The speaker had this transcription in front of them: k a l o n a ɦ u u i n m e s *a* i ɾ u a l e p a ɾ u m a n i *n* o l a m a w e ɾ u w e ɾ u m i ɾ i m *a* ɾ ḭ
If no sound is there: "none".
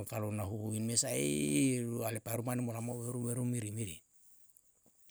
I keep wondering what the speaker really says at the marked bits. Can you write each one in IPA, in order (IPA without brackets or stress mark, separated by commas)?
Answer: a, m, i